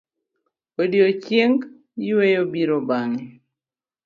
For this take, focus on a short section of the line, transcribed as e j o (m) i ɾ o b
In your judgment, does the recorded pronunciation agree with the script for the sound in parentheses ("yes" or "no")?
no